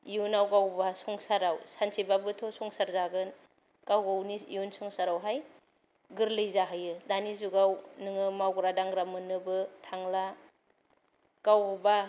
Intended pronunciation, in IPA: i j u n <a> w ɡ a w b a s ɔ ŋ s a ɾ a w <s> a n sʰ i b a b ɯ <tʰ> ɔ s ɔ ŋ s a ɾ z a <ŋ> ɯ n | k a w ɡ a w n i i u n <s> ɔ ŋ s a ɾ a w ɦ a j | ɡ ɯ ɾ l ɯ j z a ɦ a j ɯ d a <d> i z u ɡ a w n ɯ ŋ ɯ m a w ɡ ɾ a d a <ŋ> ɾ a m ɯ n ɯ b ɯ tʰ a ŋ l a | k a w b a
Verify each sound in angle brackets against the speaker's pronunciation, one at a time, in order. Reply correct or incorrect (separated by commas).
correct, correct, correct, incorrect, correct, incorrect, correct